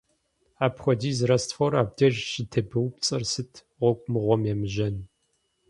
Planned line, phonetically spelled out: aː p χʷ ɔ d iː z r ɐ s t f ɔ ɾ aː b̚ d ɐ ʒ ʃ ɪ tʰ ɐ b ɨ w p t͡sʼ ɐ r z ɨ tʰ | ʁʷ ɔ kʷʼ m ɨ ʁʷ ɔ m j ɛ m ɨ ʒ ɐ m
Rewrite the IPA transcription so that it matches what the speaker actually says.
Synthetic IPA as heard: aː p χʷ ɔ d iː z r ɐ s t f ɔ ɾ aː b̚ d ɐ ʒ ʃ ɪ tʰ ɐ b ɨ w p t͡sʼ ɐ r s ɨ tʰ | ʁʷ ɔ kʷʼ m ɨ ʁʷ ɔ m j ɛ m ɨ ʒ ɐ n